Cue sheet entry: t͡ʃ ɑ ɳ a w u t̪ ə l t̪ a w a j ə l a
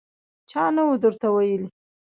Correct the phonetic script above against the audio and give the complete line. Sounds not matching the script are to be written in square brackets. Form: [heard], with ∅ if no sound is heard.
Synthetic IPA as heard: t͡ʃ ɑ [n] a w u [d̪] ə [ɾ] t̪ a w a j ə l [i]